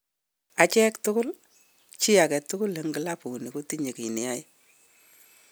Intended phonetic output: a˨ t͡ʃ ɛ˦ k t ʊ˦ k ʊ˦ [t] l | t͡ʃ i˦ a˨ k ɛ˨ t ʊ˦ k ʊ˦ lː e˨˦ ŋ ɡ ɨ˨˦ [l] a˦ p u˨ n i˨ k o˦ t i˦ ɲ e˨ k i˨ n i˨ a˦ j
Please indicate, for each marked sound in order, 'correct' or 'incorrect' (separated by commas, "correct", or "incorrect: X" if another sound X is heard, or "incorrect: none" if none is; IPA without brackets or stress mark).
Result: incorrect: none, correct